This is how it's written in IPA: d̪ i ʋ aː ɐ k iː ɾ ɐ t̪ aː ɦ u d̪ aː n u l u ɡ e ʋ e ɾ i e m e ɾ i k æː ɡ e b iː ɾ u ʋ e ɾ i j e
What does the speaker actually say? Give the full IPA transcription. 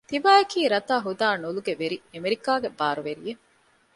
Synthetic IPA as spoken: t̪ i ʋ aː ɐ k iː ɾ ɐ t̪ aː ɦ u d̪ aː n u l u ɡ e ʋ e ɾ i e m e ɾ i k aː ɡ e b aː ɾ u ʋ e ɾ i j e